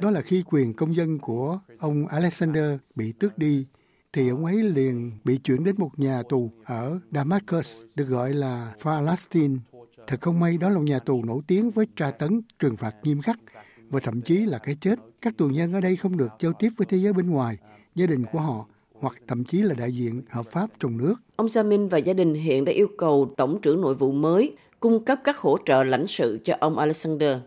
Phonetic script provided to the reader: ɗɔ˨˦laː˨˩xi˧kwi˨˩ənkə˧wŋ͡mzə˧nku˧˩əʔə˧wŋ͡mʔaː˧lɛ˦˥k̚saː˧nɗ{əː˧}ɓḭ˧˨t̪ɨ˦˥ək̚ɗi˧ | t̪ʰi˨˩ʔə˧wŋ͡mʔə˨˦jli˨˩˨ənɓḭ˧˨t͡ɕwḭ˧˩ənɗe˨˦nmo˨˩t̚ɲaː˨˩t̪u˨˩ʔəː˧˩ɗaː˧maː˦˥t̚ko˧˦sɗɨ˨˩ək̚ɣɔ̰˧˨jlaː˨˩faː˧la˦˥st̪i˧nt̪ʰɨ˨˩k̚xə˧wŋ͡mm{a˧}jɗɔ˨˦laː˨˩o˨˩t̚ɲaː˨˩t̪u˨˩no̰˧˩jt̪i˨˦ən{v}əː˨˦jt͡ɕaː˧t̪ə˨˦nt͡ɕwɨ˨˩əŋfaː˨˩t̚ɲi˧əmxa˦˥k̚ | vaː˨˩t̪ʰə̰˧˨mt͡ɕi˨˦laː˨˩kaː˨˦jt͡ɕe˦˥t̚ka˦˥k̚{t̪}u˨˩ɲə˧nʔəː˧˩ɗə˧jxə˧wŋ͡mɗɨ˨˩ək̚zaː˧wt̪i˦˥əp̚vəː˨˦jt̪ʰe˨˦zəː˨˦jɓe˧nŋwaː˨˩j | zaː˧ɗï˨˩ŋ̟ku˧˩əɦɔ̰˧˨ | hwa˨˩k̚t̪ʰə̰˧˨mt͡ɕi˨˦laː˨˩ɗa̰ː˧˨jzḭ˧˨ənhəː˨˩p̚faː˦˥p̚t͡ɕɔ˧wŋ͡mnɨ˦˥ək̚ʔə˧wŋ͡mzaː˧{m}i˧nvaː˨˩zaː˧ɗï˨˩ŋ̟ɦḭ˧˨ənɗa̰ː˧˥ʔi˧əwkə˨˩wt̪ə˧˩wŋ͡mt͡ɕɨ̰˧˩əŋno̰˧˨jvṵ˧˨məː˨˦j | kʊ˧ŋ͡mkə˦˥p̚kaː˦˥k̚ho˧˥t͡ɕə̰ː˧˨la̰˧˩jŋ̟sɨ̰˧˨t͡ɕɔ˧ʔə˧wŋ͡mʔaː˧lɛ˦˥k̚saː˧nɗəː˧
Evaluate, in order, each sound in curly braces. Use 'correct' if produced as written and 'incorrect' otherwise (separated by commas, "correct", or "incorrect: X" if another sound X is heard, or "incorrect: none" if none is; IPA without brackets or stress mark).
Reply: correct, correct, correct, correct, correct